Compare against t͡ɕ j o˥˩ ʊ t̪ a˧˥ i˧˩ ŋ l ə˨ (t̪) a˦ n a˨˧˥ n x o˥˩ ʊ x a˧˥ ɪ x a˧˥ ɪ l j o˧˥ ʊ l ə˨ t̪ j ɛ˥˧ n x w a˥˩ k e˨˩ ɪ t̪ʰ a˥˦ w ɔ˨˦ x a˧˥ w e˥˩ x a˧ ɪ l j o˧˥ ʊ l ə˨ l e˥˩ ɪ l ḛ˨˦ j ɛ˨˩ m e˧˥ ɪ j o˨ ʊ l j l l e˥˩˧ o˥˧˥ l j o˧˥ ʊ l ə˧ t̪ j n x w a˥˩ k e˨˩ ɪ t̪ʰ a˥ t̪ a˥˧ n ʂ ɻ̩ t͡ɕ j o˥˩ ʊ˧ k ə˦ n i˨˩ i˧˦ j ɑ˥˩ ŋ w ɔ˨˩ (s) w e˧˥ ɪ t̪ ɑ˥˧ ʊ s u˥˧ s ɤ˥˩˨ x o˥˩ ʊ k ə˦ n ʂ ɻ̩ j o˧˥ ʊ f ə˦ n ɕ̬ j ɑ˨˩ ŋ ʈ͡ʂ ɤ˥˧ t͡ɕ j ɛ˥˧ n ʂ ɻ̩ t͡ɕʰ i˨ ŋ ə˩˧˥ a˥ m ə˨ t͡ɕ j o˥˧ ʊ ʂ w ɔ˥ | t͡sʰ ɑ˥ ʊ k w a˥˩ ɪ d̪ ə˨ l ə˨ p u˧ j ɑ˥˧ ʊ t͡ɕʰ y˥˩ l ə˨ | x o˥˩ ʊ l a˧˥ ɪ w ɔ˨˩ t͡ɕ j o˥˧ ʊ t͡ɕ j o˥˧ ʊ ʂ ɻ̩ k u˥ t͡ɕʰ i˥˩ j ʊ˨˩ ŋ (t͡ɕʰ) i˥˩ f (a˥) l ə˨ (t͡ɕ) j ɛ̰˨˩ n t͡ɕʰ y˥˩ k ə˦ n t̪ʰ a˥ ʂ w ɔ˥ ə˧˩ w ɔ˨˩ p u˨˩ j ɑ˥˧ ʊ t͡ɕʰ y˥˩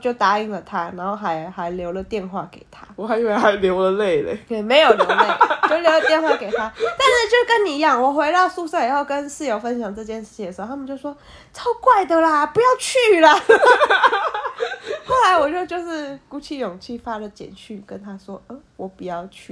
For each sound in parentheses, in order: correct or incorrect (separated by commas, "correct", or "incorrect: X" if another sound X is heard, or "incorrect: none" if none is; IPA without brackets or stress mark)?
incorrect: t̪ʰ, incorrect: x, correct, correct, correct